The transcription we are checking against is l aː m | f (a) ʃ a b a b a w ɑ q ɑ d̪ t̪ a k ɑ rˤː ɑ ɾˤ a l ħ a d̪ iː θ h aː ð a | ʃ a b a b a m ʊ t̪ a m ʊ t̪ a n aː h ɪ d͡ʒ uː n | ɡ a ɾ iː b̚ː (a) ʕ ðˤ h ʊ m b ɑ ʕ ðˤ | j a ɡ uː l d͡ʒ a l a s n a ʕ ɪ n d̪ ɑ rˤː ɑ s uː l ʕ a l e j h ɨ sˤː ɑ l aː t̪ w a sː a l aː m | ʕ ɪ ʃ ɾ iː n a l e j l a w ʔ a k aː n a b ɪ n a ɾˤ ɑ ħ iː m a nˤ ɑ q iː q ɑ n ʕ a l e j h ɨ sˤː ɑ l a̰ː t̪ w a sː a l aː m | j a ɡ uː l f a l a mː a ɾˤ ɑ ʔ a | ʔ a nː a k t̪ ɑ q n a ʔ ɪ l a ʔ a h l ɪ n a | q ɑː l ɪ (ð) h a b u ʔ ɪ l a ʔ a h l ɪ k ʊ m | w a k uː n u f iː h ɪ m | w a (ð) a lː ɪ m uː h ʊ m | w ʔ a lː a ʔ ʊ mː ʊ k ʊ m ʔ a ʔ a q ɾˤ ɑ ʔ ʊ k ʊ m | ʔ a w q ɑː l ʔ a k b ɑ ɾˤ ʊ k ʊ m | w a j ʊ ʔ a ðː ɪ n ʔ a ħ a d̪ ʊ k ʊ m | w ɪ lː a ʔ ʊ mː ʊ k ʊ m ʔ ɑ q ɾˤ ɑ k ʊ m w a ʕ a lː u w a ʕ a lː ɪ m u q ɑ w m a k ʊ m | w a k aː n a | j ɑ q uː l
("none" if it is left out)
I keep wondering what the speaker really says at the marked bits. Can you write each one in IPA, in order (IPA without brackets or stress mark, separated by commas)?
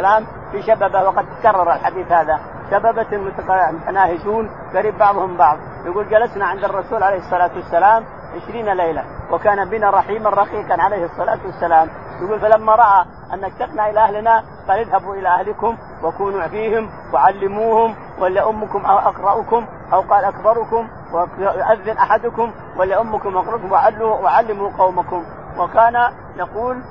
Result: i, ɑ, ð, ʕ